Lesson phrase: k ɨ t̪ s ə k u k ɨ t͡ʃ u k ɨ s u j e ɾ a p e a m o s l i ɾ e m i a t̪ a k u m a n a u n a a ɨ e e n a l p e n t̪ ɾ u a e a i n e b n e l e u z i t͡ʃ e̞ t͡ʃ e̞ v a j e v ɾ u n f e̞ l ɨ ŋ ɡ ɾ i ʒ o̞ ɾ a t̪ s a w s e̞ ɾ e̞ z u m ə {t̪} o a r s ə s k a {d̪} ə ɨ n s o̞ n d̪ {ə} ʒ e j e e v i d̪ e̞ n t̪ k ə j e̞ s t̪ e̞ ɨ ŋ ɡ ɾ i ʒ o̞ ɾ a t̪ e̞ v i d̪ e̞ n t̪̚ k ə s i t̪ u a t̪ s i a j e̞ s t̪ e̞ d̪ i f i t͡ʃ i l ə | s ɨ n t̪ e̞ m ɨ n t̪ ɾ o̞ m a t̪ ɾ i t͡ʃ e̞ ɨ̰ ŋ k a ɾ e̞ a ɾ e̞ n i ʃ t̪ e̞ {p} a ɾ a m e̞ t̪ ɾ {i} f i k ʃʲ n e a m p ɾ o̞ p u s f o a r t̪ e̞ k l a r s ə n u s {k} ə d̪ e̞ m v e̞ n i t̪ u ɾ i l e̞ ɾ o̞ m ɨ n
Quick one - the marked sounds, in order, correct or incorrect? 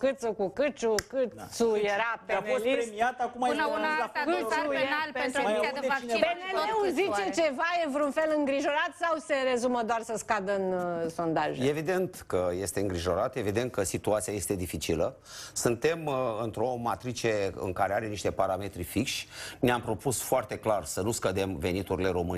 incorrect: d̪, correct, incorrect: a, correct, correct, correct

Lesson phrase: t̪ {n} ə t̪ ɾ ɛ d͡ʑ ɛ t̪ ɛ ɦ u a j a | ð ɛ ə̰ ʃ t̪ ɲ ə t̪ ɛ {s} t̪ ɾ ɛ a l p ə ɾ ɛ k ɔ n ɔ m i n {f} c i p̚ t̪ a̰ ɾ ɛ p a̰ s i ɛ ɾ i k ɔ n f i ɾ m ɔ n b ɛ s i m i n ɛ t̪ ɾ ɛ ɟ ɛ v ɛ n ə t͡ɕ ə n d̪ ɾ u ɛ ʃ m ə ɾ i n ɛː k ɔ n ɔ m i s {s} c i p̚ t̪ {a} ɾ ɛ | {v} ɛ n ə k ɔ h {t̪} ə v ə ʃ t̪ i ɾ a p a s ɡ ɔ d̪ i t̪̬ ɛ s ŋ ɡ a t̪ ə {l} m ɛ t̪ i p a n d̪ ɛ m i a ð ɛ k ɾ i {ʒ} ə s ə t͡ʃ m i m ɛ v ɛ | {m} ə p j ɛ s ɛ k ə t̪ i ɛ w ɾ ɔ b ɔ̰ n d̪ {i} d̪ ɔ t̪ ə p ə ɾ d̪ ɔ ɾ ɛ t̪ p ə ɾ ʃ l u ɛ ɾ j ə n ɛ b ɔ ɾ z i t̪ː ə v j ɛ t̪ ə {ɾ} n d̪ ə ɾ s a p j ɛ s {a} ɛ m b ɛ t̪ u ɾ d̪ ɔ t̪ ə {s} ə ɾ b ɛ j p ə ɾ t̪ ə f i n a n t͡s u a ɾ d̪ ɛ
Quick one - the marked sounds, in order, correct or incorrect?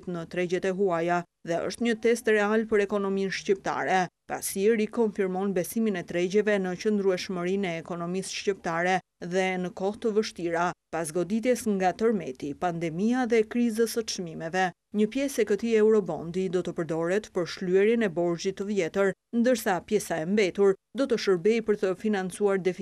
correct, correct, incorrect: ʃ, incorrect: ʃ, correct, incorrect: ð, correct, incorrect: ɾ, incorrect: z, incorrect: ɲ, correct, correct, correct, incorrect: ʃ

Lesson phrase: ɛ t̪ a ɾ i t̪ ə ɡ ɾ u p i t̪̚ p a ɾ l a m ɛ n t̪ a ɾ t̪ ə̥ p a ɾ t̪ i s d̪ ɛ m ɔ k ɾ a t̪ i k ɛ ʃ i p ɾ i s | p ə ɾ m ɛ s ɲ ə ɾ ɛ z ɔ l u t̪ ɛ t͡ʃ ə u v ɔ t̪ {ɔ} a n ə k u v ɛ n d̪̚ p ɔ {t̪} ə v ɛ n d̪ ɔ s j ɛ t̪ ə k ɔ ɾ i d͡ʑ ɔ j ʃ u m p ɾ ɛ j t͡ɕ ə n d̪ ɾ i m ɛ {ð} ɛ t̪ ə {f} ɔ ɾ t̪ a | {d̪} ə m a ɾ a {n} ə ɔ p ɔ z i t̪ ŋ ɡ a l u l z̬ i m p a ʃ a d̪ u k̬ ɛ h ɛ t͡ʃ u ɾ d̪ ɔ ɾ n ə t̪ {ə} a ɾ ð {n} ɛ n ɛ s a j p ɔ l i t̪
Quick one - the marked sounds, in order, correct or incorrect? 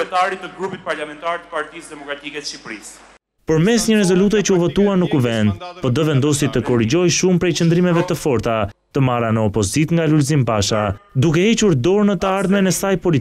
incorrect: u, incorrect: d̪, incorrect: v, correct, incorrect: t̪, correct, correct, incorrect: m

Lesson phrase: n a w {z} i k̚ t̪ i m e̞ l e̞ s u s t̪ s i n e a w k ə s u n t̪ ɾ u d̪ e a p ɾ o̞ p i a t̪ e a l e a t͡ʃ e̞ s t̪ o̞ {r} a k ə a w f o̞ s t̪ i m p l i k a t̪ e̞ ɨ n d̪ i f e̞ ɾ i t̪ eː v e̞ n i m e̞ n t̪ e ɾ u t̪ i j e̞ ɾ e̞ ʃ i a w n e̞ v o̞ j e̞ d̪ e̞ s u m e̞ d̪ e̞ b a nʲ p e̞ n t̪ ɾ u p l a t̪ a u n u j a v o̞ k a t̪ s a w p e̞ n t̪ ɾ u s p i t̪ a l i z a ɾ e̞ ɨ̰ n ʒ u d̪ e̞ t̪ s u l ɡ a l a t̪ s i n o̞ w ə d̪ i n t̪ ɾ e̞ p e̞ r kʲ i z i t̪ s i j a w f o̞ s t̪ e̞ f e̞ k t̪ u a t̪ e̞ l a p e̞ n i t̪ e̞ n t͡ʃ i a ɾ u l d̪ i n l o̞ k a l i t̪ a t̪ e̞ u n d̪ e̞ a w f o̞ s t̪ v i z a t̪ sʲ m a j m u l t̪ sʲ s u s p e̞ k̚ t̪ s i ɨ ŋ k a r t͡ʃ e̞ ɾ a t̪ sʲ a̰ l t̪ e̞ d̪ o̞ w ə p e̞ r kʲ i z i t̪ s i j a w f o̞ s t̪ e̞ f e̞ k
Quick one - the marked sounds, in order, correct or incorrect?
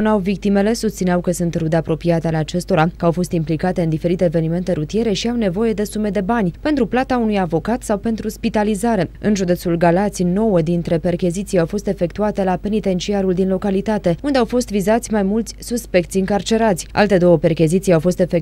incorrect: v, incorrect: ɾ

